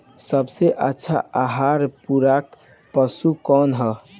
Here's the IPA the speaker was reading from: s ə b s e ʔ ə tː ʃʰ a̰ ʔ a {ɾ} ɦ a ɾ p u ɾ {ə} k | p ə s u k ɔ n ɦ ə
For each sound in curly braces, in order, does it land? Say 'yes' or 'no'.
no, no

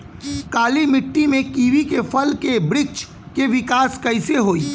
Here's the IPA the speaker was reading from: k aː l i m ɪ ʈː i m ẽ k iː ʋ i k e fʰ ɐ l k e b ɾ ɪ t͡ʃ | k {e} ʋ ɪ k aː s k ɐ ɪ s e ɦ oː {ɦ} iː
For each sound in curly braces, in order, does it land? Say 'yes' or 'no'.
yes, no

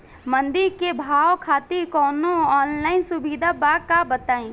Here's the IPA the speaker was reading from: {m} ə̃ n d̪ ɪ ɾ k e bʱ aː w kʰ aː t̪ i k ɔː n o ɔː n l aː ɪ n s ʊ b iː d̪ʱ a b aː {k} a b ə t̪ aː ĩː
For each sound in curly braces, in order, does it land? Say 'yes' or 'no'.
yes, yes

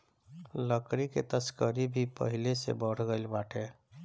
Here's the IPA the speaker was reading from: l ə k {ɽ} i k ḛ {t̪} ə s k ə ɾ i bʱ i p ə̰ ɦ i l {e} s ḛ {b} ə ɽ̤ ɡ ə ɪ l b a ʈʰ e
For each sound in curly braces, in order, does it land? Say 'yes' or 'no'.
no, yes, yes, yes

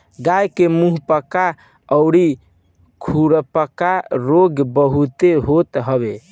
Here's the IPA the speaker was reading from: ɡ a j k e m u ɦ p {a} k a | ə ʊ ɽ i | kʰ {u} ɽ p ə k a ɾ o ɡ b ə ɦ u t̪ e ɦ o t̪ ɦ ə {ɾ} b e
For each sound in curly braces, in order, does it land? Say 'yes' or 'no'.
no, yes, no

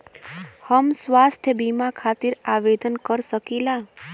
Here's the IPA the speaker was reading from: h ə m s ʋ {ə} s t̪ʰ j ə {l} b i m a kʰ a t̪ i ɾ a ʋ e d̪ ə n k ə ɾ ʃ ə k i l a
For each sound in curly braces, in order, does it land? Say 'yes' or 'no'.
no, no

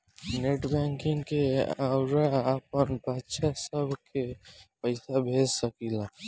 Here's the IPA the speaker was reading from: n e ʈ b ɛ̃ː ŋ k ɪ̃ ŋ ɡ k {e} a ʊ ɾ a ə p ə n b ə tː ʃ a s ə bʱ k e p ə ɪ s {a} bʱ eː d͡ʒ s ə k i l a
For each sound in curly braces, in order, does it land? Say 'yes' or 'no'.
yes, yes

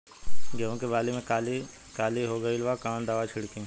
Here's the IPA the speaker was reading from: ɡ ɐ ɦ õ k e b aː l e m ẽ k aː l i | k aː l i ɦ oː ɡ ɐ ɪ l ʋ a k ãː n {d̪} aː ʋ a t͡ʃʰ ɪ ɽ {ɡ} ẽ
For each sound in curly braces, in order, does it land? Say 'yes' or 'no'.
yes, no

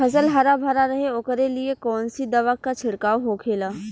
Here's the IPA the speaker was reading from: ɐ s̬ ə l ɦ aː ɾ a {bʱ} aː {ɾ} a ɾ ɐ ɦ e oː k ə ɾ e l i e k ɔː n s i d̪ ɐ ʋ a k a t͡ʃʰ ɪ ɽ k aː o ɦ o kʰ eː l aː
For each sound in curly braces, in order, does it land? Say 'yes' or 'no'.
yes, yes

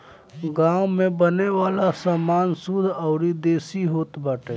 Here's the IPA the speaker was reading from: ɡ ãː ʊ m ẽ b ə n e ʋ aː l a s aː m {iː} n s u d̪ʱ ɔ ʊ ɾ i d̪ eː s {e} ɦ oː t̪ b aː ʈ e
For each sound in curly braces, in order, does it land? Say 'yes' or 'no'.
no, no

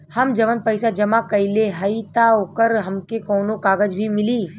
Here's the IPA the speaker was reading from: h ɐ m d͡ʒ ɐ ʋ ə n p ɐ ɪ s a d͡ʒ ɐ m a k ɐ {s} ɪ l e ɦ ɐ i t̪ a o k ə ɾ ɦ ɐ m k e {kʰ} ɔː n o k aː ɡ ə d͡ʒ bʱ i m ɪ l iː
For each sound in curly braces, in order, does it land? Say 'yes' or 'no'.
no, no

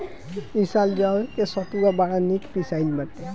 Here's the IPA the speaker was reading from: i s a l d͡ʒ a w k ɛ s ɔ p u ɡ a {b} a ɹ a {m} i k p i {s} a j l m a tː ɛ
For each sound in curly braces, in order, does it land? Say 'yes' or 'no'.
yes, no, yes

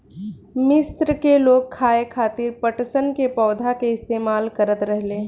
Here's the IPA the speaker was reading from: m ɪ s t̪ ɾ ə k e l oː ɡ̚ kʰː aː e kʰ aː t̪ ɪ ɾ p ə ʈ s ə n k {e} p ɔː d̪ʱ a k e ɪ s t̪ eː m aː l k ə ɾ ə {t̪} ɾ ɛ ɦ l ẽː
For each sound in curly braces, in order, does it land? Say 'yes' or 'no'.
yes, yes

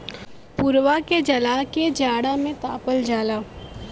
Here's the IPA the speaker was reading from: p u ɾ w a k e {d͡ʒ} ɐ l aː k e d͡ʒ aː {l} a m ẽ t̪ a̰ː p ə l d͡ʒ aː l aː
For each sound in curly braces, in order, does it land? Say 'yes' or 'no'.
yes, no

